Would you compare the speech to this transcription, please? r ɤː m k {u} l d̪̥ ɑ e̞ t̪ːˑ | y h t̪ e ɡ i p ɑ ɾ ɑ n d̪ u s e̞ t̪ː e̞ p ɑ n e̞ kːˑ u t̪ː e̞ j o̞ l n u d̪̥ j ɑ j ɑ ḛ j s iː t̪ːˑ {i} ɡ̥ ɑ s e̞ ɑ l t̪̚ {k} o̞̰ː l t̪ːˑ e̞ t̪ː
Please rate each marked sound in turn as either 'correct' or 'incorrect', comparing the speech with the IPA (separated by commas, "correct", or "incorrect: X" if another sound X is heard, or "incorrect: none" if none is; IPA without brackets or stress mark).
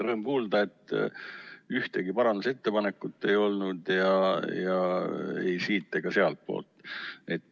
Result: incorrect: uː, incorrect: e, incorrect: p